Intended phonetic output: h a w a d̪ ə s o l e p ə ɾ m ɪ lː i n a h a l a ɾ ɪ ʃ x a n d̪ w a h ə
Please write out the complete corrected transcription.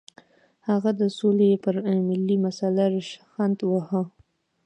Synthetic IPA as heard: h a ɣ a d̪ ə s o l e p ə ɾ m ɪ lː i m a s a l a ɾ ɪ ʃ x a n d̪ w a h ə